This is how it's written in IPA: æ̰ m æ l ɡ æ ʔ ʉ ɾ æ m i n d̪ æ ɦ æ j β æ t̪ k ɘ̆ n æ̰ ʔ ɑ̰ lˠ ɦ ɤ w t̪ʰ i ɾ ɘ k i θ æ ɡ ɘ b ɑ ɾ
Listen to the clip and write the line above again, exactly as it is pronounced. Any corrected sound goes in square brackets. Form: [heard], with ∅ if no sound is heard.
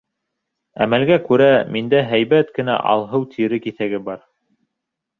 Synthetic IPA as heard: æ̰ m æ l ɡ æ [k] ʉ ɾ æ m i n d̪ æ ɦ æ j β æ t̪ k ɘ̆ n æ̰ ʔ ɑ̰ lˠ ɦ ɤ w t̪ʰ i ɾ ɘ k i θ æ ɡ ɘ b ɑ ɾ